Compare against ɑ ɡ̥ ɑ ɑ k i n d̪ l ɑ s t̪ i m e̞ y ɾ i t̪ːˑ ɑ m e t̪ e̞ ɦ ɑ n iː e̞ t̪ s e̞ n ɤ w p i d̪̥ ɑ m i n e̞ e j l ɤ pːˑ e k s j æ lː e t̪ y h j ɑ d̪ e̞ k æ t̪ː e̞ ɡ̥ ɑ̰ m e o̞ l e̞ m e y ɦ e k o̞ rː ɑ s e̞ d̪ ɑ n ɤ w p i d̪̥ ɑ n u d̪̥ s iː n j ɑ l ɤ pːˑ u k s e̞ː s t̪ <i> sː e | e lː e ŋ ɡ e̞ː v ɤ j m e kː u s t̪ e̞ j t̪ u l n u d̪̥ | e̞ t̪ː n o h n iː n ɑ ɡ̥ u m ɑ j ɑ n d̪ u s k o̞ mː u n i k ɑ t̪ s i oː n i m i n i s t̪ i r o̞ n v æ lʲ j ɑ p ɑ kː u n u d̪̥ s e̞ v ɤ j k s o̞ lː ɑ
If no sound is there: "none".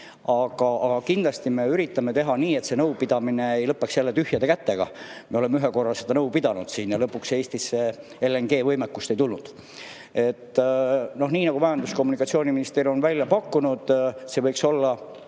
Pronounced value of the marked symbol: i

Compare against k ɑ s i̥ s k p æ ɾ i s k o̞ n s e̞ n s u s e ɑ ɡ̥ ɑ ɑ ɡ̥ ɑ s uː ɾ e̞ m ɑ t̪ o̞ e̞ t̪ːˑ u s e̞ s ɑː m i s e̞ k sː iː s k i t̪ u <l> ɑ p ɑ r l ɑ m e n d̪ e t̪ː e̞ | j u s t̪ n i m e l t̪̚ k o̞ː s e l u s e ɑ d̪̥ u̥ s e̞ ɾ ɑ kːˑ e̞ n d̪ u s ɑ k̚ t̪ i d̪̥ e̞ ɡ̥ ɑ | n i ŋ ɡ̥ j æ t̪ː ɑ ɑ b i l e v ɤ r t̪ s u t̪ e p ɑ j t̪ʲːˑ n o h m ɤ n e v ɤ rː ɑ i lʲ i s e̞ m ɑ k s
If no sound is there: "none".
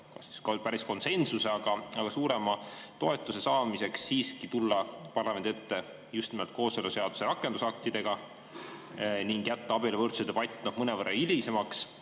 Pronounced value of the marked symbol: lː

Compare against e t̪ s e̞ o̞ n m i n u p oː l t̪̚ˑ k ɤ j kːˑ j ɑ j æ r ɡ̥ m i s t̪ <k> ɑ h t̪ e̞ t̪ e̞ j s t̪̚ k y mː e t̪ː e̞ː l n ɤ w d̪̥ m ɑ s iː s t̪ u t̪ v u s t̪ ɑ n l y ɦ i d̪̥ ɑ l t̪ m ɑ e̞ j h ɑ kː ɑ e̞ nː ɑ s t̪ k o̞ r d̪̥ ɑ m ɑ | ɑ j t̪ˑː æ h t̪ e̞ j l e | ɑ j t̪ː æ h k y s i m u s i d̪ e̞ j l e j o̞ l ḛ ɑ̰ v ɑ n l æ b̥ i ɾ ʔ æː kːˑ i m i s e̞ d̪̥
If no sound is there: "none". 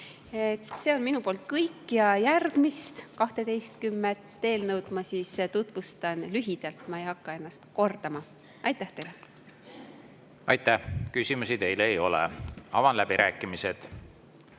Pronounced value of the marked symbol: k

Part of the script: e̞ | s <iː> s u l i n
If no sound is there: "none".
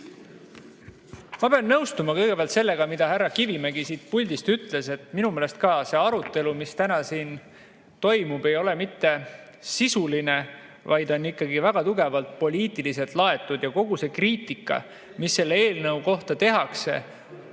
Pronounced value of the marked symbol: i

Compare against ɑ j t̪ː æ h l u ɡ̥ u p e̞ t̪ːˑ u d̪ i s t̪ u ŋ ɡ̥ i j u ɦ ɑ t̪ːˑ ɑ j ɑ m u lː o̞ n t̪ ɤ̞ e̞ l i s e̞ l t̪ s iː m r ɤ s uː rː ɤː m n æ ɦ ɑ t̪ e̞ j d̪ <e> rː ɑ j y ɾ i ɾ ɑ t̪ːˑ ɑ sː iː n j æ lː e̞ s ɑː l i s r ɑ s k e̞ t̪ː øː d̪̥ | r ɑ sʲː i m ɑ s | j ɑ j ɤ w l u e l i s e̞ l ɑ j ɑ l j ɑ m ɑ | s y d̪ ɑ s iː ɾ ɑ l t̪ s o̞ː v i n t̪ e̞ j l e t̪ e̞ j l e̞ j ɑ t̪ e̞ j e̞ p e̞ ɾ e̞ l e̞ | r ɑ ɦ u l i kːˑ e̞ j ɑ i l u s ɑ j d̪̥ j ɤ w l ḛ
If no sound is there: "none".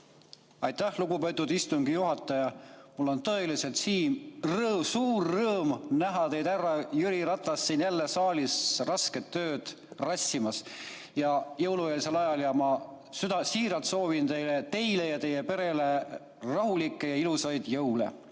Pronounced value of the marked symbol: æ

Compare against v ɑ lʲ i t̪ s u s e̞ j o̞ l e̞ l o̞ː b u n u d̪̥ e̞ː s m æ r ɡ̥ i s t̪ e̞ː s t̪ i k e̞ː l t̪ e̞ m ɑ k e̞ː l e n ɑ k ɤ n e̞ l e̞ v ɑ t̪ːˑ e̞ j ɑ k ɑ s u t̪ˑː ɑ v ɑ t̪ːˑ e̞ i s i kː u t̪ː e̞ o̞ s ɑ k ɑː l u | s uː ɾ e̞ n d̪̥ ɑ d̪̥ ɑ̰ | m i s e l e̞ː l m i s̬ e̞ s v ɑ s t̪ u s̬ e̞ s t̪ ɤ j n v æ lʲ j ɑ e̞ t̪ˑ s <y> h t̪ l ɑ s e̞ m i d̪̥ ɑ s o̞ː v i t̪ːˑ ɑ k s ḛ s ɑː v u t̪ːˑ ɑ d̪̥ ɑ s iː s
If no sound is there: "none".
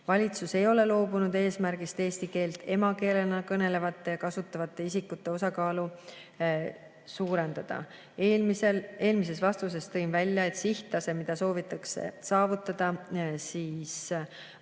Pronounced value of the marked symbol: i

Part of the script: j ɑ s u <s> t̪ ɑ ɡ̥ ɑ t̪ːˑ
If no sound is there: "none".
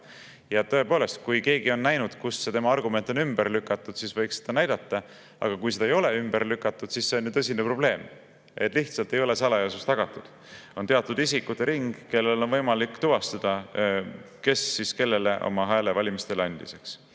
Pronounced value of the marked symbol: s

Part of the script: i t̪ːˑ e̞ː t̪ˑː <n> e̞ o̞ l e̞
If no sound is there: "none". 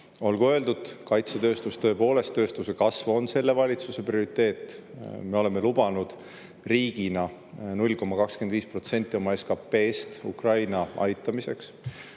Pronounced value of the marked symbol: m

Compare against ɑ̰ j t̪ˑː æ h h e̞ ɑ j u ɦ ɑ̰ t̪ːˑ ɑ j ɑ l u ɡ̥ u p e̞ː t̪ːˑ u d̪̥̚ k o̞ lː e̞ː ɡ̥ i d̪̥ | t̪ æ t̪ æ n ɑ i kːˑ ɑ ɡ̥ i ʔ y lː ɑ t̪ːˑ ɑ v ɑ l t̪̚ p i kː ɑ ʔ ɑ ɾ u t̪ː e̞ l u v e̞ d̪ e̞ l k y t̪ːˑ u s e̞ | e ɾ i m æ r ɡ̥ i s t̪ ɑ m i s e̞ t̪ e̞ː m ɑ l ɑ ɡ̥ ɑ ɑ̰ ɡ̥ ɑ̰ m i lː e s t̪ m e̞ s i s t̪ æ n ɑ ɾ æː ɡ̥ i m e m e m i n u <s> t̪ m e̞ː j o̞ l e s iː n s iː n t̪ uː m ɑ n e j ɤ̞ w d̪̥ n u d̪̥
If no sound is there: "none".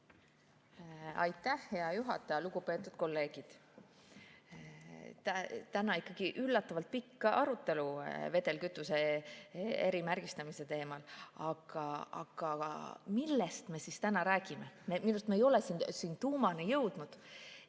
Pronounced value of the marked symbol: s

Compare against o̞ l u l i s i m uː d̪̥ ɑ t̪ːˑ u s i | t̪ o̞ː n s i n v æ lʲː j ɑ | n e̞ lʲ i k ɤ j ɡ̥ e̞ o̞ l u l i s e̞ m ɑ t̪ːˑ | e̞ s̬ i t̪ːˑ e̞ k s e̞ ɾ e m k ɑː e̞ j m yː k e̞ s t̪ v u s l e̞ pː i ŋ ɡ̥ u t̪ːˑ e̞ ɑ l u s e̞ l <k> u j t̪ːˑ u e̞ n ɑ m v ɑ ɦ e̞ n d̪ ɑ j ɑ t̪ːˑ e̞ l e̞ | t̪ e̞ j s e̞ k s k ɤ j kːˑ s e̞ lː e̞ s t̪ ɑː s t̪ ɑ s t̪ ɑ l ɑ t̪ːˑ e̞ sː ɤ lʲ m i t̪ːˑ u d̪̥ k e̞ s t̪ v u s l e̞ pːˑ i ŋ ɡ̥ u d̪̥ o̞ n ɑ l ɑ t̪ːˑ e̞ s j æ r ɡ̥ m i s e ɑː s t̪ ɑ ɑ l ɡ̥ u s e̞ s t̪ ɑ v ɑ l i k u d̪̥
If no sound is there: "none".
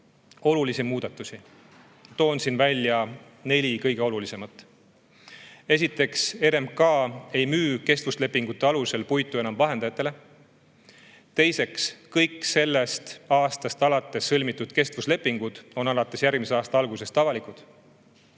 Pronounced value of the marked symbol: p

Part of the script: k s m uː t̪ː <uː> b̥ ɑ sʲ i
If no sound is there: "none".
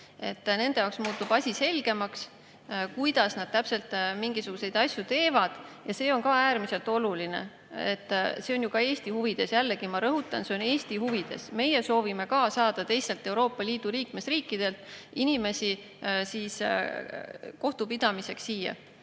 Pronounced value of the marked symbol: u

